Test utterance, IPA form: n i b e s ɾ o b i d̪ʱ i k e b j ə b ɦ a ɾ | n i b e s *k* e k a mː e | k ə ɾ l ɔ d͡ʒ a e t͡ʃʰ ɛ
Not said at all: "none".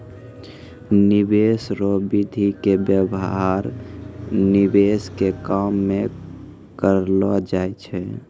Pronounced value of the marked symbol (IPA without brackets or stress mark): k